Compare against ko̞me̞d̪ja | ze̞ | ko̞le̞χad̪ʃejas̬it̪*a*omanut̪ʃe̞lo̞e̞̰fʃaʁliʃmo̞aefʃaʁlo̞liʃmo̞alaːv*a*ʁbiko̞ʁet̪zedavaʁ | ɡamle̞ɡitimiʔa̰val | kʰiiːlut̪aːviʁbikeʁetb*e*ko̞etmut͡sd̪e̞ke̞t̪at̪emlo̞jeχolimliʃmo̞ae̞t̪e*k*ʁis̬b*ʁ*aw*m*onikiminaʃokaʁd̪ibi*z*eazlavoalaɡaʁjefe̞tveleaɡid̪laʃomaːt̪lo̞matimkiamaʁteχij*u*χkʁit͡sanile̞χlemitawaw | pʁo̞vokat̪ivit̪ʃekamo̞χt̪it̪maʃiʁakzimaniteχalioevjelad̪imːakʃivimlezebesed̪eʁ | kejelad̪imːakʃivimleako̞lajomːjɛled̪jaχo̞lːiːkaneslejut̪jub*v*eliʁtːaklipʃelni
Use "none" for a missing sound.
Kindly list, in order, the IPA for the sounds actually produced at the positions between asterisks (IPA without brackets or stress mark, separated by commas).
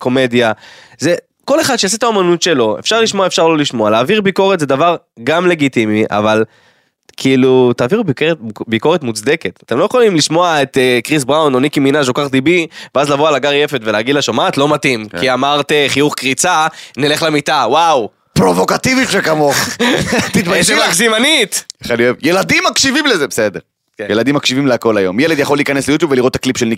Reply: a, i, i, k, ʁ, n, v, u, v